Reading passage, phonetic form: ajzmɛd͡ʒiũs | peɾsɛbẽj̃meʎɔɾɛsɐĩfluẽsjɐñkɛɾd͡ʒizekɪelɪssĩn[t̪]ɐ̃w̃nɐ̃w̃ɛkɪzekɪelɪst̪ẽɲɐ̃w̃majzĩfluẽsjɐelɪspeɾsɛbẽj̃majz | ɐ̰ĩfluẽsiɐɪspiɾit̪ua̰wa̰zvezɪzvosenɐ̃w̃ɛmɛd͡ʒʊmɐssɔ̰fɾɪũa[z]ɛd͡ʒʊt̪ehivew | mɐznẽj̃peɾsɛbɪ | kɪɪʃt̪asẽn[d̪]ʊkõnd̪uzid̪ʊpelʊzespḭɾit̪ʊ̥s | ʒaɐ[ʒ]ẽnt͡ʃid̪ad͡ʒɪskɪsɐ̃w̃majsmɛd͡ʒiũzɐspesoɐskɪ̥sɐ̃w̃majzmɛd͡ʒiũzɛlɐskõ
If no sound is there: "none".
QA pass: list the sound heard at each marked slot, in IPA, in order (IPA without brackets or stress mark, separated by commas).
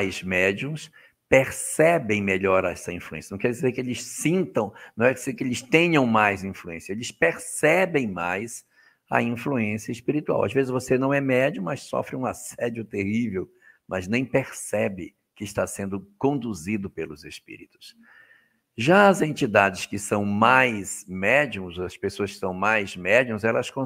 t̪, s, d̪, z